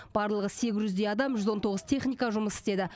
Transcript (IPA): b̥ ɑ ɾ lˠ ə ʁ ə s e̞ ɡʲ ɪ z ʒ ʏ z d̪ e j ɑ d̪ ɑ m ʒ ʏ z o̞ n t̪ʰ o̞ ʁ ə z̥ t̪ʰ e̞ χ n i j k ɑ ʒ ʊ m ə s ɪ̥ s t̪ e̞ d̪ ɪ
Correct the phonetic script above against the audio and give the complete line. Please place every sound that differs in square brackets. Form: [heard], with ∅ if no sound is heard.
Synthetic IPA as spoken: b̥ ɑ ɾ lˠ ə ʁ ə s e̞ ɡʲ ɪ z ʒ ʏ z d̪ e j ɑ d̪ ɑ m ʒ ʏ z o̞ n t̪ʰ o̞ ʁ ə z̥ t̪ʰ e̞ χ n i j k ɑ ʒ ʊ m ə s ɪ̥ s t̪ e̞ d̪ ɪ